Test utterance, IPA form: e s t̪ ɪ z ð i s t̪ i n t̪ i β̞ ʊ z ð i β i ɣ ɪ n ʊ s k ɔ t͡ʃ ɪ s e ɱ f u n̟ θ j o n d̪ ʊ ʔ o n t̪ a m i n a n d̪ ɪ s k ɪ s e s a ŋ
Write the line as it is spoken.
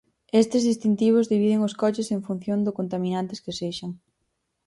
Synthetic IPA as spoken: e s t̪ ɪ z ð i s t̪ i n t̪ i β̞ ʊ z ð i β i ð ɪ ŋ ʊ s k ɔ t͡ʃ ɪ s e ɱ f u n̟ θ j o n d̪ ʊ k o n t̪ a m i n a n t̪ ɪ s k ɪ s e ʃ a ŋ